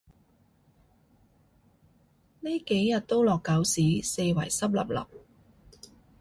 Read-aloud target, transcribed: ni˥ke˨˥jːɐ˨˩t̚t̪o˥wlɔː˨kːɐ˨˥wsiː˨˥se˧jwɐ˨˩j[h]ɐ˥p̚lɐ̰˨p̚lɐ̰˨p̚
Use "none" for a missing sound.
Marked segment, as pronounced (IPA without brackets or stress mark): s